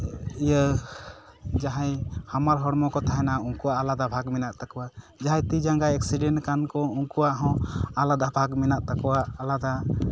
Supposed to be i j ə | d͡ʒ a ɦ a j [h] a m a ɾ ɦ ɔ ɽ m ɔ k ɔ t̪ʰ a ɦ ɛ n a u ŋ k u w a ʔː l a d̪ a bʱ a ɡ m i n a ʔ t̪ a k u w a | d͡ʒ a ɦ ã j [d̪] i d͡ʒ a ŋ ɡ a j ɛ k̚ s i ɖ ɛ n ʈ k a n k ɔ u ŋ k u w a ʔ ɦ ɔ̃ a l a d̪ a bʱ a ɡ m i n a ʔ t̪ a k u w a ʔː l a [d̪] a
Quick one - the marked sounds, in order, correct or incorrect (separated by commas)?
correct, incorrect, correct